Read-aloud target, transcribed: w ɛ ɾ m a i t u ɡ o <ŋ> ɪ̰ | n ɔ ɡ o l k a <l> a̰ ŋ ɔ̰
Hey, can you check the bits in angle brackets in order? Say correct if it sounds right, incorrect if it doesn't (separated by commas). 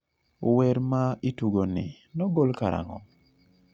incorrect, incorrect